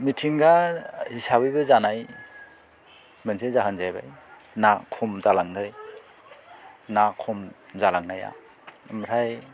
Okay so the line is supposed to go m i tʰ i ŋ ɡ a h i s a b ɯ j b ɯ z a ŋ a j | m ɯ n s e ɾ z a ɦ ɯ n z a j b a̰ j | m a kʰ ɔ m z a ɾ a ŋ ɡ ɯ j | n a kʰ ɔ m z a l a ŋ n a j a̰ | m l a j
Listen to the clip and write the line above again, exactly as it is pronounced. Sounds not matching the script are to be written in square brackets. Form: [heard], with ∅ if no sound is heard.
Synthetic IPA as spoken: m i tʰ i ŋ ɡ a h i s a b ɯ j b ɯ z a [n] a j | m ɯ n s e [∅] z a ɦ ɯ n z a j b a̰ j | [n] a kʰ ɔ m z a [l] a ŋ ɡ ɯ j | n a kʰ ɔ m z a l a ŋ n a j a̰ | m [ɾ] a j